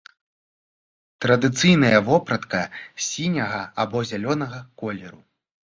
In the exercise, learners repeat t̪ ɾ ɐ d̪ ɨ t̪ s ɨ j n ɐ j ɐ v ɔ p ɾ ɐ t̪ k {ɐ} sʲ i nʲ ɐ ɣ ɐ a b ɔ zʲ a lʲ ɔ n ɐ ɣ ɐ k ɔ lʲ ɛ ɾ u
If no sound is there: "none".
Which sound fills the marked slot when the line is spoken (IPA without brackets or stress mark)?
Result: ɐ